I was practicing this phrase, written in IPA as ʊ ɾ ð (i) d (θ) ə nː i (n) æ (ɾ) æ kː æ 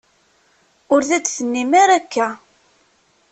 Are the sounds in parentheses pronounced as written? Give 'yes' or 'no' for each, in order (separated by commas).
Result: no, yes, no, yes